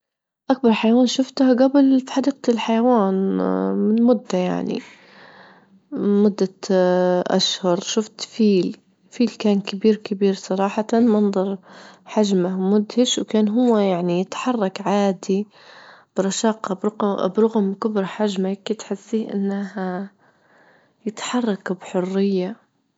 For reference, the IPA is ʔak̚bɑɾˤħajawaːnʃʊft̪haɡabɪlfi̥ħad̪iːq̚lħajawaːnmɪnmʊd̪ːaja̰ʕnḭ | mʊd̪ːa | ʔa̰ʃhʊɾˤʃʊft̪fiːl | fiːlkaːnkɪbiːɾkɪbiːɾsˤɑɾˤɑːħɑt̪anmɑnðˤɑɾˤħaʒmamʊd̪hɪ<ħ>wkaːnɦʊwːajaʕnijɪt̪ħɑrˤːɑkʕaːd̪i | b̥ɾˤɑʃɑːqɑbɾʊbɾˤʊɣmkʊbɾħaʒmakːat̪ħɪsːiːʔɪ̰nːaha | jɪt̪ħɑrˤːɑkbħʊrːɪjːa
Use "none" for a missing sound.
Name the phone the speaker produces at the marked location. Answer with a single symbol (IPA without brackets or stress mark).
ʃ